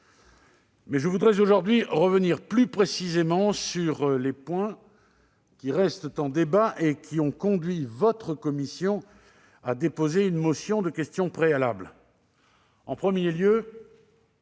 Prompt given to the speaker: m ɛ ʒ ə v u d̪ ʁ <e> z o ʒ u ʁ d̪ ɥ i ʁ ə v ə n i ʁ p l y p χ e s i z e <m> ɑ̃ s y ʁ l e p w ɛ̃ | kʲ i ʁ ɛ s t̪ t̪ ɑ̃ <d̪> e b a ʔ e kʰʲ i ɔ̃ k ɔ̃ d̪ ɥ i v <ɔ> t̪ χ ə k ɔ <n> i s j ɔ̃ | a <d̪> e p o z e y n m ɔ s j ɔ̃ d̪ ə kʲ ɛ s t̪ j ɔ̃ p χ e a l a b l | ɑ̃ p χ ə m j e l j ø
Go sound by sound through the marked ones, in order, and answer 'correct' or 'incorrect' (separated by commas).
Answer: incorrect, correct, correct, correct, incorrect, correct